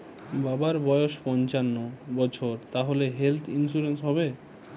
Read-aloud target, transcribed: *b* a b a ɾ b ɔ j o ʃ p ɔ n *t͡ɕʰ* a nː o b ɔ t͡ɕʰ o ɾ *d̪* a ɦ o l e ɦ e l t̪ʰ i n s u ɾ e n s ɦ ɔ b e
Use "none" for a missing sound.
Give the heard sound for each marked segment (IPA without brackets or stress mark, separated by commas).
b, t͡ɕ, t̪